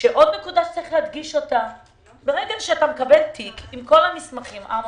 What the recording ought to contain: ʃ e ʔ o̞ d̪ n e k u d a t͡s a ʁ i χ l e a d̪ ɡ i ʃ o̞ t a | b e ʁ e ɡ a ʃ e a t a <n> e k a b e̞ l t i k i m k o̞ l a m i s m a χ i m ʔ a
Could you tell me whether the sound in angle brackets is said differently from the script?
yes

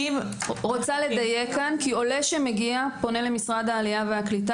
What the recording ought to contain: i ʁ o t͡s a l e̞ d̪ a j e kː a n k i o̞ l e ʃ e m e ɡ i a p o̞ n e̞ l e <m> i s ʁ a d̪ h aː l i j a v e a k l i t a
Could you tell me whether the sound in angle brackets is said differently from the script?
no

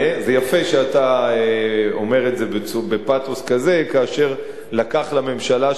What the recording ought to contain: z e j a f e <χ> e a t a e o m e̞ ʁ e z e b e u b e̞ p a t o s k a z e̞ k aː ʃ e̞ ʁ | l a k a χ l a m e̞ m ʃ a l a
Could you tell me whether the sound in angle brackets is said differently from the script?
yes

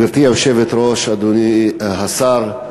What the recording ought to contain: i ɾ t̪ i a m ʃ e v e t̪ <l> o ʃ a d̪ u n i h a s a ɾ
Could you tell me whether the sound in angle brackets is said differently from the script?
yes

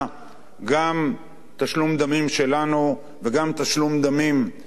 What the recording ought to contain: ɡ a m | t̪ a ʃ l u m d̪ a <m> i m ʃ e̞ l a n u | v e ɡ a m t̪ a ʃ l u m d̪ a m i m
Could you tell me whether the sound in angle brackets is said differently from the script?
no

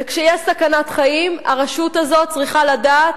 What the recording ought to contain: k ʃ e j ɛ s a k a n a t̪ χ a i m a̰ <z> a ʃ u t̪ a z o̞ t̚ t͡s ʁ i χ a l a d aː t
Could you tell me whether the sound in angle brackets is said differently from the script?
yes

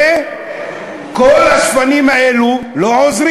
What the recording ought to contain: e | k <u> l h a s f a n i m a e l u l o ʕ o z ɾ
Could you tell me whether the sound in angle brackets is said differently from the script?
yes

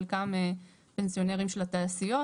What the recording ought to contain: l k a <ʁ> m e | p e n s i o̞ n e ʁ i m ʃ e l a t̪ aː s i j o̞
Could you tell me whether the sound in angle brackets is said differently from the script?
yes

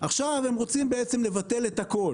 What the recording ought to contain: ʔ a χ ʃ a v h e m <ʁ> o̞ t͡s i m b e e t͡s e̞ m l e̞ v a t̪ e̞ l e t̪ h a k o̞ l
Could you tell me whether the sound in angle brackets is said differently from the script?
no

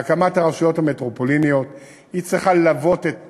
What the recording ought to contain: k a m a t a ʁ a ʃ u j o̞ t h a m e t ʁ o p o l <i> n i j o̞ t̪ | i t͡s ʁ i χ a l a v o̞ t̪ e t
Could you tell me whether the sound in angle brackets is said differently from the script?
no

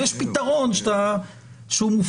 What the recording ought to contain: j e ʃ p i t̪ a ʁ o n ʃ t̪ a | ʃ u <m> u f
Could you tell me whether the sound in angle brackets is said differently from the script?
no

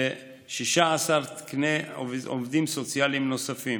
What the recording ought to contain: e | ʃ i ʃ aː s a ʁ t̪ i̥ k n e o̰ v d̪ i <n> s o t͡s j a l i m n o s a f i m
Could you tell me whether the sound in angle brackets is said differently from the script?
yes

